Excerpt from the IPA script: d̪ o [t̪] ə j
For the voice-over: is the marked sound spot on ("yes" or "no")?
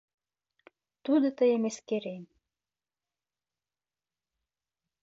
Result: yes